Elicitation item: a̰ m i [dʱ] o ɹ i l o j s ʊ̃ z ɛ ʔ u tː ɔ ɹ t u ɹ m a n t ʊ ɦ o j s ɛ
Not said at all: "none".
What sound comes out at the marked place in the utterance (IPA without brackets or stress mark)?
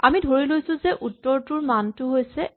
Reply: dʱ